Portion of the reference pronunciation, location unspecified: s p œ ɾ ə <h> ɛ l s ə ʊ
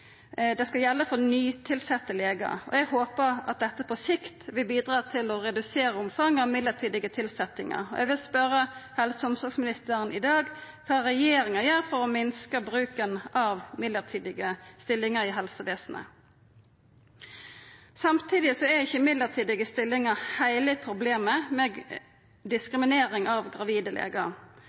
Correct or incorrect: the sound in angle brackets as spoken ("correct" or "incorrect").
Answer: correct